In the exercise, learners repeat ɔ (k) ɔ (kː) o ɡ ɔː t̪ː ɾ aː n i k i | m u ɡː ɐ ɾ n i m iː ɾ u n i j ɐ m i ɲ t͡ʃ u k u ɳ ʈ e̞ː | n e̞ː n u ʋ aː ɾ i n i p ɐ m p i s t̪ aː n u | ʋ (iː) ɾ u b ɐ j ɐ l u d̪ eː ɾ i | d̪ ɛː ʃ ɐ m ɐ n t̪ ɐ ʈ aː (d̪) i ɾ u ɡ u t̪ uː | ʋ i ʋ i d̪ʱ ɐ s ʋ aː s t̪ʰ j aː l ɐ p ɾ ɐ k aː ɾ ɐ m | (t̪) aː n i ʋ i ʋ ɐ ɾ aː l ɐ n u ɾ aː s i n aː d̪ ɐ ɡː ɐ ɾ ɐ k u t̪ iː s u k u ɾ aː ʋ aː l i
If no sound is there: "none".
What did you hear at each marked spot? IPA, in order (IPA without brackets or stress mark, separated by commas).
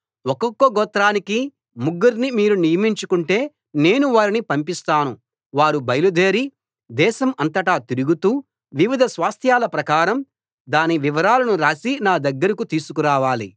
k, kː, aː, t̪, d̪